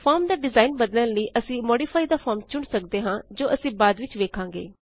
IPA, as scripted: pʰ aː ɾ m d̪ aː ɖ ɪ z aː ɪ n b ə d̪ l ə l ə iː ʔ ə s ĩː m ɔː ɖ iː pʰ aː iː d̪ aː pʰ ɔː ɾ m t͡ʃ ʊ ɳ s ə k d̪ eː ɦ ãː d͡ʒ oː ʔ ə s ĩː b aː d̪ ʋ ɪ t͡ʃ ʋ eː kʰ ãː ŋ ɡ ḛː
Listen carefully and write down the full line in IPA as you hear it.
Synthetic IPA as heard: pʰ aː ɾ m d̪ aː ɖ ɪ z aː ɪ n b ə d̪ l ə l ə iː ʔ ə s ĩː m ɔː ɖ iː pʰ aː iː d̪ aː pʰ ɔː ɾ m t͡ʃ ʊ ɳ s ə k d̪ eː ɦ ãː d͡ʒ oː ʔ ə s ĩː b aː d̪ ʋ ɪ t͡ʃ ʋ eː kʰ ãː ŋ ɡ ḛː